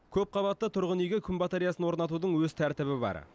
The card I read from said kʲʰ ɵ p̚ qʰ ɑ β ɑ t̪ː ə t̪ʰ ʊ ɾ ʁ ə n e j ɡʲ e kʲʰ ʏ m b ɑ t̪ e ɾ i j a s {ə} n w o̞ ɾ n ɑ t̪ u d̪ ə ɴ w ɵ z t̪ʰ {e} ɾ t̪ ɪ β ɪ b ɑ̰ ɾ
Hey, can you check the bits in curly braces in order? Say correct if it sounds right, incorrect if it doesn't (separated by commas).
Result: correct, incorrect